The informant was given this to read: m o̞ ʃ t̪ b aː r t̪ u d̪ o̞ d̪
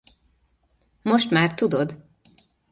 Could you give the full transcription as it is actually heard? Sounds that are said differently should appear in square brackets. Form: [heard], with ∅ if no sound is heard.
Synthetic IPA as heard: m o̞ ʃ t̪ [m] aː r t̪ u d̪ o̞ d̪